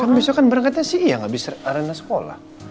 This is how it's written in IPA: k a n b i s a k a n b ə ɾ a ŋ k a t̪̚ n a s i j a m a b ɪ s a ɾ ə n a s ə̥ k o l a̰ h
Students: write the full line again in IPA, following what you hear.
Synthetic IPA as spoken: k a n b i s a k a n b ə ɾ a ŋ k a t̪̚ ɲ a s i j a ŋ a b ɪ s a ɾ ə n a s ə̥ k o l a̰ h